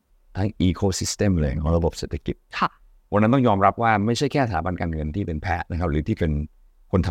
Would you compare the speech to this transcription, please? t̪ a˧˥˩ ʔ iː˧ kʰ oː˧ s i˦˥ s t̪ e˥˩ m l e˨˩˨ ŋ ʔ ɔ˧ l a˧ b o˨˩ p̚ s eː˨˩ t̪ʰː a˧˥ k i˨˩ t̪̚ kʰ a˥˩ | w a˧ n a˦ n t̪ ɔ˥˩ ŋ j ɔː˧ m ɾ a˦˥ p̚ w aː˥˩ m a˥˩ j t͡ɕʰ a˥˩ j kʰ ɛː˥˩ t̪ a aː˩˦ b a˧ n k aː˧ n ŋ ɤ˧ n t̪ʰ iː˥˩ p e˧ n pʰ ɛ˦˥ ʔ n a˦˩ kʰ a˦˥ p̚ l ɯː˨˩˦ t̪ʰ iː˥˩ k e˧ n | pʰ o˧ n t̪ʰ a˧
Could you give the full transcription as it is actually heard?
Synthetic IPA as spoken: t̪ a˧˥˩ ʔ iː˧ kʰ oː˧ s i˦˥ s t̪ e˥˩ m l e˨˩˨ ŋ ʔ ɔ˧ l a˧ b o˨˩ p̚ s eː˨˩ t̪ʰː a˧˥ k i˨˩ t̪̚ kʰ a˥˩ | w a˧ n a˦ n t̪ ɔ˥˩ ŋ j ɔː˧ m ɾ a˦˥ p̚ w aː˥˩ m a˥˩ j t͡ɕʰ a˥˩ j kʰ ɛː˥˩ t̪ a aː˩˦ b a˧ n k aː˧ n ŋ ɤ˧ n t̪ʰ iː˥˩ p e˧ n pʰ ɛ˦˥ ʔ n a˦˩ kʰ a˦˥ p̚ ɾ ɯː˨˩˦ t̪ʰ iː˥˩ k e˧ n | kʰ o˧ n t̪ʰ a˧